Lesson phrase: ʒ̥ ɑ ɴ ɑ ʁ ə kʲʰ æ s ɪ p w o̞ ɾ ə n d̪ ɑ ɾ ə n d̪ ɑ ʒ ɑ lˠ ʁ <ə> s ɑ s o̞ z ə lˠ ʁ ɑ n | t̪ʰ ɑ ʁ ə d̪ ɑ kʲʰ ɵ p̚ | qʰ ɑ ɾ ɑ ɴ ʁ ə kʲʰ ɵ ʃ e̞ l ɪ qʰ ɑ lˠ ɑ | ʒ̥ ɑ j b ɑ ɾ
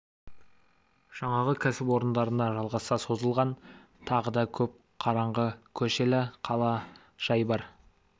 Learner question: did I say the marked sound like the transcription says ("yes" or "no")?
no